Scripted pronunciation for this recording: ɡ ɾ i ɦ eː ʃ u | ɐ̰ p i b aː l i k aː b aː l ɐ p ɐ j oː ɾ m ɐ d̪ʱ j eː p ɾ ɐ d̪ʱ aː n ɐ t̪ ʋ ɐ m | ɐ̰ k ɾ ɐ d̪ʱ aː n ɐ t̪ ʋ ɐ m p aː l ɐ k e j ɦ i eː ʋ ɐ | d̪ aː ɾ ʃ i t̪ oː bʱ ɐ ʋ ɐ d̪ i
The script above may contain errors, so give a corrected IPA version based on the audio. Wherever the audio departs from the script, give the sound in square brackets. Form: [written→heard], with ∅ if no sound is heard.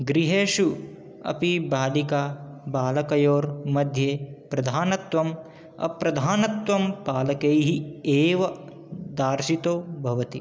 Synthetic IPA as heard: ɡ ɾ i ɦ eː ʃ u | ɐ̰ p i b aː l i k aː b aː l ɐ [p→k] ɐ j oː ɾ m ɐ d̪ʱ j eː p ɾ ɐ d̪ʱ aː n ɐ t̪ ʋ ɐ m | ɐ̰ [k→p] ɾ ɐ d̪ʱ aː n ɐ t̪ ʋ ɐ m p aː l ɐ k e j ɦ i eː ʋ ɐ | d̪ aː ɾ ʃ i t̪ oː bʱ ɐ ʋ ɐ [d̪→t̪] i

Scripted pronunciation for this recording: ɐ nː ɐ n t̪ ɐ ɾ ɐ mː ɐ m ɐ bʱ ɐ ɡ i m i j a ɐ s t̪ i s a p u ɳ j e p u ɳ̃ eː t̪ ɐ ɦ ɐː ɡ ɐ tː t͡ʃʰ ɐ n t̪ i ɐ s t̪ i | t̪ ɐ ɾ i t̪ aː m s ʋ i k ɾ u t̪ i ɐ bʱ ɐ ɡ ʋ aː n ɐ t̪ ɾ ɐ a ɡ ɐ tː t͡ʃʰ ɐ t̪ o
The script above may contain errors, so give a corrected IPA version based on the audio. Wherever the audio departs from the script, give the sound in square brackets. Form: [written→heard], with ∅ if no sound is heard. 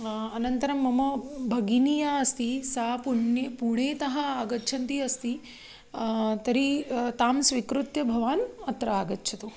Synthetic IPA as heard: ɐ [nː→n] ɐ n t̪ ɐ ɾ ɐ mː ɐ m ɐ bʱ ɐ ɡ i [m→n] i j a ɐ s t̪ i s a p u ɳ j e p u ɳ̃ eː t̪ ɐ ɦ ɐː ɡ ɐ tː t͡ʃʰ ɐ n t̪ i ɐ s t̪ i | t̪ ɐ ɾ i t̪ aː m s ʋ i k ɾ u t̪ [i→j] ɐ bʱ ɐ [ɡ→∅] ʋ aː n ɐ t̪ ɾ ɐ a ɡ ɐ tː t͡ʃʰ ɐ t̪ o

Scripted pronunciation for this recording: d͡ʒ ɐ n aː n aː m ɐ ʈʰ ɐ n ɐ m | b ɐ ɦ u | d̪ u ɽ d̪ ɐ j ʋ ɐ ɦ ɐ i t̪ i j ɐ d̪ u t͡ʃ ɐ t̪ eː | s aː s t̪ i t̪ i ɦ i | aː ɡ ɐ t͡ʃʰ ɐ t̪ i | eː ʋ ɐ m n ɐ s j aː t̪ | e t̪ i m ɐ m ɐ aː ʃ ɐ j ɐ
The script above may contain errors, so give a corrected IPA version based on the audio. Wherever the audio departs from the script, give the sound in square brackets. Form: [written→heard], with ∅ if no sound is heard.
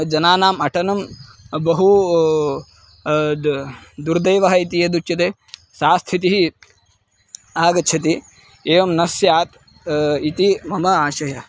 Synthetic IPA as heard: d͡ʒ ɐ n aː n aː m ɐ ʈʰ ɐ n ɐ m | b ɐ ɦ u | d̪ u [ɽ→ɾ] d̪ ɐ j ʋ ɐ ɦ ɐ i t̪ i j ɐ d̪ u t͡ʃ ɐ t̪ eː | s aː s [t̪→t̪ʰ] i t̪ i ɦ i | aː ɡ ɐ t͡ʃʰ ɐ t̪ i | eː ʋ ɐ m n ɐ s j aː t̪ | [e→i] t̪ i m ɐ m ɐ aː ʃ ɐ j ɐ

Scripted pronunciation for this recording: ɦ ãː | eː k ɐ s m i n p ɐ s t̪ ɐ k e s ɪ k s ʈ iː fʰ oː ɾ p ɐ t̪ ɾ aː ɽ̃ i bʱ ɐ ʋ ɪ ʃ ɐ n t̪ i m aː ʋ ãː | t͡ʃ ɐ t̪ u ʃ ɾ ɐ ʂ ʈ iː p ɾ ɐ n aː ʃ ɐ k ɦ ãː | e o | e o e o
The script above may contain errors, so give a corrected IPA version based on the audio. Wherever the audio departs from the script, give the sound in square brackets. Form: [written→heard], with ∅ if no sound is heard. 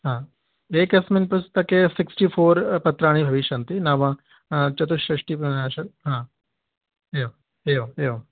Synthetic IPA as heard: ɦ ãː | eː k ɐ s m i n p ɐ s t̪ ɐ k e s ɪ k s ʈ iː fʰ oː ɾ p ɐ t̪ ɾ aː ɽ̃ i bʱ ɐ ʋ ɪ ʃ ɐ n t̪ i [m→n] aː ʋ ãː | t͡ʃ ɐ t̪ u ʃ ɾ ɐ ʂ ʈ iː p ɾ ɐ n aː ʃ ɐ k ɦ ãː | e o | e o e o

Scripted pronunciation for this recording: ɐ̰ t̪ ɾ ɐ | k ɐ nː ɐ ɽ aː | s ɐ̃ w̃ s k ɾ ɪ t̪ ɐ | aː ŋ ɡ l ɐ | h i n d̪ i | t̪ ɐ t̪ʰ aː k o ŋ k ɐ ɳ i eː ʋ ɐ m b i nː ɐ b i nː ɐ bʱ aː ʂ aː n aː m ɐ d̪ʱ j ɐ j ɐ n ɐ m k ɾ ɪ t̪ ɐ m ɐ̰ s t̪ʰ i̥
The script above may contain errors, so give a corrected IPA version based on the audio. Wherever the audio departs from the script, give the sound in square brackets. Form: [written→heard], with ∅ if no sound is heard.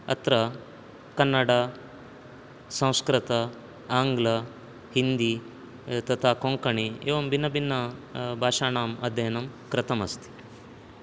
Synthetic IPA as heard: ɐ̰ t̪ ɾ ɐ | k ɐ nː ɐ ɽ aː | s ɐ̃ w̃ s k ɾ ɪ t̪ ɐ | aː ŋ ɡ l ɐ | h i n d̪ i | t̪ ɐ t̪ʰ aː k o ŋ k ɐ ɳ i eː ʋ ɐ m b i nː ɐ b i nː ɐ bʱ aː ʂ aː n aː m ɐ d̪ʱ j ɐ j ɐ n ɐ m k ɾ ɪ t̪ ɐ m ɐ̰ s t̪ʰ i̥

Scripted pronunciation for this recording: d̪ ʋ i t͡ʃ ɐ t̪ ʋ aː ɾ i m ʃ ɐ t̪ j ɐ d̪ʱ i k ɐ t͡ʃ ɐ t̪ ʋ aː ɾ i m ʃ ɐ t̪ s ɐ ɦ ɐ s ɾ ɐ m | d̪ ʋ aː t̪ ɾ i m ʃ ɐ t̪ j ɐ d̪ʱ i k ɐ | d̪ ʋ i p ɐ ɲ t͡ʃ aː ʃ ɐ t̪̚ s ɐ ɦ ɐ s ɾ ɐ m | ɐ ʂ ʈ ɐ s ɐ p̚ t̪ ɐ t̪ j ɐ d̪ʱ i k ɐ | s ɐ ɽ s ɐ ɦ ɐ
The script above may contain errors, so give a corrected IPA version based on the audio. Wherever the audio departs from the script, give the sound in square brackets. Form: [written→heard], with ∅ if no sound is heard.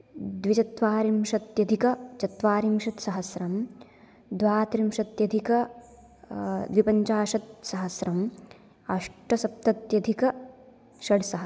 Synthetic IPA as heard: d̪ ʋ i t͡ʃ ɐ t̪ ʋ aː ɾ i m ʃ ɐ t̪ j ɐ d̪ʱ i k ɐ t͡ʃ ɐ t̪ ʋ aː ɾ i m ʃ ɐ t̪ s ɐ ɦ ɐ s ɾ ɐ m | d̪ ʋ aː t̪ ɾ i m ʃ ɐ t̪ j ɐ d̪ʱ i k ɐ | d̪ ʋ i p ɐ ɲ t͡ʃ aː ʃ ɐ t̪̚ s ɐ ɦ ɐ s ɾ ɐ m | ɐ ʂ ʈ ɐ s ɐ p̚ t̪ ɐ t̪ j ɐ d̪ʱ i k ɐ | [s→ʃ] ɐ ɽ s ɐ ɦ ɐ

